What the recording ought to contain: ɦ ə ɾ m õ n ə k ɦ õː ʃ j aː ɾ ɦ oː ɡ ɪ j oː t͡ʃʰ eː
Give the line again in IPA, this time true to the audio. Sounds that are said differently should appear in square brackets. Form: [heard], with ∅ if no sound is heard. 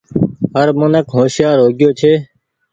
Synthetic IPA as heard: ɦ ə ɾ m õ n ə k ɦ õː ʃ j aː ɾ ɦ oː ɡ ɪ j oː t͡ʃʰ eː

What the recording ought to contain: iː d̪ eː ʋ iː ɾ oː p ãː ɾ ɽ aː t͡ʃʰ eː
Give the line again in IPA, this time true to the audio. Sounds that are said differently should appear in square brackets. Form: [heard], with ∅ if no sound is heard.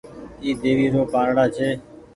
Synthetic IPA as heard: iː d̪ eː ʋ iː ɾ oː p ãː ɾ ɽ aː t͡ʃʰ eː

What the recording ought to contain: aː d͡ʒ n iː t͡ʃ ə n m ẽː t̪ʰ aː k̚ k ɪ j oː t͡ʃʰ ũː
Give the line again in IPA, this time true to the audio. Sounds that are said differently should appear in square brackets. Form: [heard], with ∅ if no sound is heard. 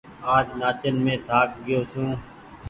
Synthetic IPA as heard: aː d͡ʒ n [aː] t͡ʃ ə n m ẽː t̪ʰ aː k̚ [ɡ] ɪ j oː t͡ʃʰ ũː

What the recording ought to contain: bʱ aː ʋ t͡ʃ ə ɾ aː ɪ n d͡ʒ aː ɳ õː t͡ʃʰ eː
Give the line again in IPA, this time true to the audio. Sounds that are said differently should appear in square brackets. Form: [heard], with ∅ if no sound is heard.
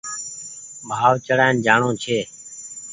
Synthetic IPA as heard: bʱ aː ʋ t͡ʃ ə [ɽ] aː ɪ n d͡ʒ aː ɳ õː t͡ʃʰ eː

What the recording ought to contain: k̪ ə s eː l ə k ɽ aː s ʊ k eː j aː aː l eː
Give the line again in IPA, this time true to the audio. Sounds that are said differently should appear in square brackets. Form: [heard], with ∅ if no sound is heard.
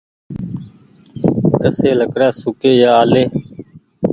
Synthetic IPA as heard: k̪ ə s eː l ə k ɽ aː s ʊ k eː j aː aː l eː

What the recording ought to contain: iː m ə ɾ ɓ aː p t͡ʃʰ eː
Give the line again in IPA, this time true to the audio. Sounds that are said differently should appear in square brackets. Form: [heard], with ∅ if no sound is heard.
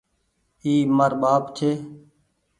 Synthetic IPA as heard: iː m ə ɾ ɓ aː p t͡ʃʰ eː

